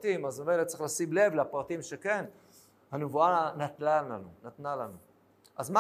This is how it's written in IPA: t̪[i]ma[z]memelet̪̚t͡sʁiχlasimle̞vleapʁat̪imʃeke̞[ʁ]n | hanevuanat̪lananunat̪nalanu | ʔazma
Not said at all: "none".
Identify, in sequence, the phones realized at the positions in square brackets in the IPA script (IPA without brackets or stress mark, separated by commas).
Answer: i, z, none